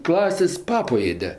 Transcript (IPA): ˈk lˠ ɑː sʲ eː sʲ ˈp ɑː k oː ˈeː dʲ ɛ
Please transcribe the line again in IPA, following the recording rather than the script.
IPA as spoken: ˈk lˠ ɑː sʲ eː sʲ ˈp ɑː p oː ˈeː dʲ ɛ

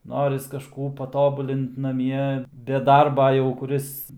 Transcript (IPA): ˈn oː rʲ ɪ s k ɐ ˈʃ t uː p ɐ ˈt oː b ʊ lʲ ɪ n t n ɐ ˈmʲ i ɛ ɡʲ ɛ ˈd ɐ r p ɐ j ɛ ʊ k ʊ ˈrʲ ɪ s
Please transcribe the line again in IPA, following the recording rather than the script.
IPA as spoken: ˈn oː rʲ ɪ s k ɐ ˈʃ k uː p ɐ ˈt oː b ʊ lʲ ɪ n t n ɐ ˈmʲ i ɛ bʲ ɛ ˈd ɐ r b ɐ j ɛ ʊ k ʊ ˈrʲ ɪ s

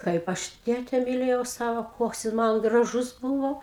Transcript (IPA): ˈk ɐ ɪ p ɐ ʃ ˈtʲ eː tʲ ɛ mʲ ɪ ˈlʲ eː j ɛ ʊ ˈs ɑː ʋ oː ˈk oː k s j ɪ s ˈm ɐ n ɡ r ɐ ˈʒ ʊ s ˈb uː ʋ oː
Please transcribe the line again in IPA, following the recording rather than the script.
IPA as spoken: ˈk ɐ ɪ p ɐ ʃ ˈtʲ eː tʲ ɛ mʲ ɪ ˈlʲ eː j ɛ ʊ ˈs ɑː ʋ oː ˈk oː k s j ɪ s ˈm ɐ n ɡ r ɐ ˈʒ ʊ s ˈb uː ʋ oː

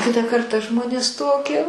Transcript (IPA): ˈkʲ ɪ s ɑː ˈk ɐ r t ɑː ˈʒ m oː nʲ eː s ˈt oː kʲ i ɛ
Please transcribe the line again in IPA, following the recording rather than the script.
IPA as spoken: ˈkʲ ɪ t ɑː ˈk ɐ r t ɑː ˈʒ m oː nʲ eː s ˈt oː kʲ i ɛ

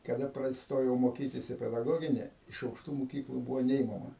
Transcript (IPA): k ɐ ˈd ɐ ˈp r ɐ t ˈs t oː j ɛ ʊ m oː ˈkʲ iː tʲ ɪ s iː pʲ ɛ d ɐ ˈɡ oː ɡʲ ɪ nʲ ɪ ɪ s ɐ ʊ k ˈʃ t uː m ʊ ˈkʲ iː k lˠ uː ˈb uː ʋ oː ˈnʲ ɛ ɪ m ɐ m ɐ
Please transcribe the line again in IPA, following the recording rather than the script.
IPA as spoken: k ɐ ˈd ɐ ˈp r ɐ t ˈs t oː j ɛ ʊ m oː ˈkʲ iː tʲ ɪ s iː pʲ ɛ d ɐ ˈɡ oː ɡʲ ɪ nʲ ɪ ɪ ʃ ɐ ʊ k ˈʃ t uː m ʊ ˈkʲ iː k lˠ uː ˈb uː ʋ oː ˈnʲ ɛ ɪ m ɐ m ɐ

